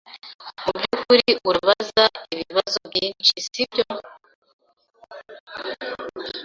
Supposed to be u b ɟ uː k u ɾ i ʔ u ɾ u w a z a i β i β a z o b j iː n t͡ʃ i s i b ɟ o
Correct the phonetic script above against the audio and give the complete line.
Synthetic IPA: u b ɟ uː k u ɾ i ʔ u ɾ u β a z a i β i β a z o b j iː n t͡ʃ i s i b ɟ o